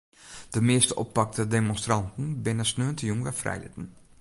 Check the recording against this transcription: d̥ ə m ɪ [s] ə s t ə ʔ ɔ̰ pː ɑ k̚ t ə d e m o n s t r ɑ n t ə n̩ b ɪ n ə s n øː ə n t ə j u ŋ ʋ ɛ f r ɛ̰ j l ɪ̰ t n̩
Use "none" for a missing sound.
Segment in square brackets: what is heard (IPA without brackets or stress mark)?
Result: none